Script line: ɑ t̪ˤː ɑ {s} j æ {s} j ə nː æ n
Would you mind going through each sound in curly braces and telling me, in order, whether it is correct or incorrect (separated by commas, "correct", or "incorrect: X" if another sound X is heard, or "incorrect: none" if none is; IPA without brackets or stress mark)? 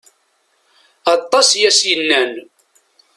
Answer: correct, correct